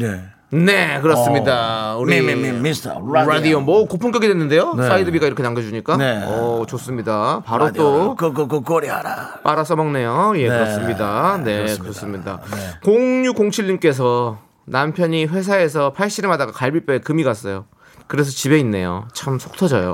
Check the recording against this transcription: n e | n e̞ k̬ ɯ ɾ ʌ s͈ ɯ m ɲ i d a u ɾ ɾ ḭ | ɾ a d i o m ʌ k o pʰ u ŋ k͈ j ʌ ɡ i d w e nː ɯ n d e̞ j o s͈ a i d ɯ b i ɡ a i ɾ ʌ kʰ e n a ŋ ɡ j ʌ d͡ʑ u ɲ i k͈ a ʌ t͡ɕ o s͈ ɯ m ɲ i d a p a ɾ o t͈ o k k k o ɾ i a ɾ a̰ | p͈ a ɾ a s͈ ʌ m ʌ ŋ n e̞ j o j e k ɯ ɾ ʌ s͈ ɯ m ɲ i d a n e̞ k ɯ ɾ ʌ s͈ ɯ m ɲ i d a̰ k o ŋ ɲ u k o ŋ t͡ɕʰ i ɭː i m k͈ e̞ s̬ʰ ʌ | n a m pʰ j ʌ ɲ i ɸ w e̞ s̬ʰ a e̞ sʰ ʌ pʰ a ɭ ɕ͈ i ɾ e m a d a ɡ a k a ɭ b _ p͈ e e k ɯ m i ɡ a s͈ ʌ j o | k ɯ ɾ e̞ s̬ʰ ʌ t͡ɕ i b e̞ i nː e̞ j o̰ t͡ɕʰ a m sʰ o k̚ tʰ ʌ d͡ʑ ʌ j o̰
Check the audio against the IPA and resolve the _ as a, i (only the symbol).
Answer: i